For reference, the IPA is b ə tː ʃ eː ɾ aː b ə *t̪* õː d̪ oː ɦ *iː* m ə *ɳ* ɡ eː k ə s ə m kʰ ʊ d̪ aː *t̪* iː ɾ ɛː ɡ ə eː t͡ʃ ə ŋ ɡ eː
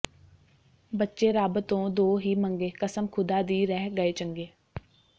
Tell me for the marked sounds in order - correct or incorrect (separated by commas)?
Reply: correct, correct, incorrect, incorrect